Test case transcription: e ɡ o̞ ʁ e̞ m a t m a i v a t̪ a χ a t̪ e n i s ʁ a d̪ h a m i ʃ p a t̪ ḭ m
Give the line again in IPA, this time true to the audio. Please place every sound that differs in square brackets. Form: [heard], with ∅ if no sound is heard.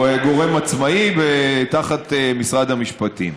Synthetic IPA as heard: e ɡ o̞ ʁ e̞ m a [t͡s] m a i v [e] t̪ a χ a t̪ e [m] i s ʁ a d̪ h a m i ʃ p a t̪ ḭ m